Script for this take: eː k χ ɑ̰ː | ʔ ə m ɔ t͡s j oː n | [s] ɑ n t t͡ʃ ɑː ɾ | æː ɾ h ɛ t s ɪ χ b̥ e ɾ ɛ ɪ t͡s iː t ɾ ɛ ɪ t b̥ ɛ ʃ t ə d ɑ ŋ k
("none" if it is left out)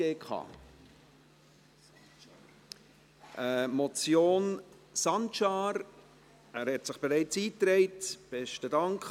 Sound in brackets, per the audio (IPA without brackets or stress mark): s